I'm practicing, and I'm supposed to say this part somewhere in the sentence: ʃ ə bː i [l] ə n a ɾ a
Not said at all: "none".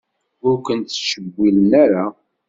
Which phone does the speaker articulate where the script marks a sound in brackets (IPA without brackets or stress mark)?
l